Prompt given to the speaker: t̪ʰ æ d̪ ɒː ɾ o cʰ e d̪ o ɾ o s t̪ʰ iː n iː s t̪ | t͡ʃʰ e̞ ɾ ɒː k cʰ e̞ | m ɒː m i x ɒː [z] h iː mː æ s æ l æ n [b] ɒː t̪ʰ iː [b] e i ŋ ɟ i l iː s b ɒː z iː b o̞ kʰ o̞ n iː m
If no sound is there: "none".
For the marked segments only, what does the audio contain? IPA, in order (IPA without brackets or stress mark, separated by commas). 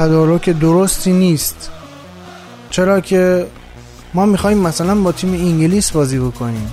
none, b, m